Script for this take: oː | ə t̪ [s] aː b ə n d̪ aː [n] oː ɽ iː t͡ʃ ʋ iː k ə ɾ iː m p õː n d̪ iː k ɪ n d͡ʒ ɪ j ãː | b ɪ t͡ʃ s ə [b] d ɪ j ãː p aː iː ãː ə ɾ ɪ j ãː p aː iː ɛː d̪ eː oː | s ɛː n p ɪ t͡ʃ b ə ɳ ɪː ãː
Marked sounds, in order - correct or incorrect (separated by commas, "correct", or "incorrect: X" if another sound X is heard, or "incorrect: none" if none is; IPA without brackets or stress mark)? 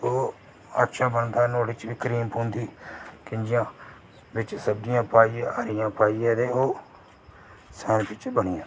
incorrect: ʃ, correct, correct